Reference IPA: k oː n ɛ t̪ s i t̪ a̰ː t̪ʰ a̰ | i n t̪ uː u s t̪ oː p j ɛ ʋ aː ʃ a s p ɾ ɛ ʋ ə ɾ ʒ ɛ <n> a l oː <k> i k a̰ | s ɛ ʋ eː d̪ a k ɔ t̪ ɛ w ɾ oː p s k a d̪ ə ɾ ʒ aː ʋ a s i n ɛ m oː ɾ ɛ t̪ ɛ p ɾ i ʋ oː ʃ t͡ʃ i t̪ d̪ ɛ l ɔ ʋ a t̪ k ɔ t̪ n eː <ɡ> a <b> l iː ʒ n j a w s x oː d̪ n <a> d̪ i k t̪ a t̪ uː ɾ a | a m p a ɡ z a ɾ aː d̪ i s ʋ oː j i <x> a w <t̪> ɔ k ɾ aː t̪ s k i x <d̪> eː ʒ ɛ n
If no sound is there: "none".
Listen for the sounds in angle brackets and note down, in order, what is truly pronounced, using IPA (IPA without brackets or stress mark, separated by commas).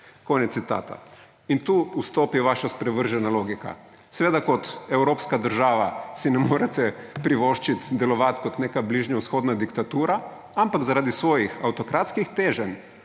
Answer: n, ɡ, k, b, a, x, t̪, t̪